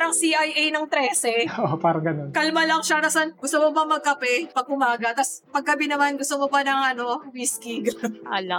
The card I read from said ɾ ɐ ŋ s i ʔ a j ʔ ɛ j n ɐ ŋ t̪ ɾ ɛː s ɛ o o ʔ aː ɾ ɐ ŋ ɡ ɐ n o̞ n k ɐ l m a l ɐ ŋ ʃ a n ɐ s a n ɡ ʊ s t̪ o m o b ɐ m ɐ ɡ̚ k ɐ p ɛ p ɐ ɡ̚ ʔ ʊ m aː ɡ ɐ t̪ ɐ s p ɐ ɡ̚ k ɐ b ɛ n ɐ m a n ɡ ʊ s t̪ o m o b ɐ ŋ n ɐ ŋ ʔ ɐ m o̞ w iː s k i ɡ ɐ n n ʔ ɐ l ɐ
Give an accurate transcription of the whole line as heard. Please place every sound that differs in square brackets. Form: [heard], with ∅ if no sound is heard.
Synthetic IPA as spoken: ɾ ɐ ŋ s i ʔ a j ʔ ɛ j n ɐ ŋ t̪ ɾ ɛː s ɛ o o [p] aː ɾ ɐ ŋ ɡ ɐ n o̞ n k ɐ l m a l ɐ ŋ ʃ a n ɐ s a n ɡ ʊ s t̪ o m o b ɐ m ɐ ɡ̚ k ɐ p ɛ p ɐ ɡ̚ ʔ ʊ m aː ɡ ɐ t̪ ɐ s p ɐ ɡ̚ k ɐ b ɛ n ɐ m a n ɡ ʊ s t̪ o m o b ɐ [∅] n ɐ ŋ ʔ ɐ [n] o̞ w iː s k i ɡ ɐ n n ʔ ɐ l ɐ